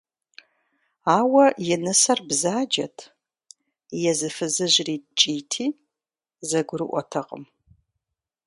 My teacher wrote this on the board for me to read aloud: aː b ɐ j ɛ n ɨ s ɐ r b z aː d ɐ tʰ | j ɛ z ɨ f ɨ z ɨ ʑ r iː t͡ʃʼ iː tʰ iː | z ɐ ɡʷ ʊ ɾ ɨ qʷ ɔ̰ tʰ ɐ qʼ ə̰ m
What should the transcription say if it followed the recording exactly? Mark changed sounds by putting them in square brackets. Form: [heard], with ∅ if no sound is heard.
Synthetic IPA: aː [w] ɐ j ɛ n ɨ s ɐ r b z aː [d͡ʒ] ɐ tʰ | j ɛ z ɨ f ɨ z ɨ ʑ r iː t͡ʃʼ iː tʰ iː | z ɐ ɡʷ ʊ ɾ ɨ [ʔʷ] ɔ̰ tʰ ɐ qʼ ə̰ m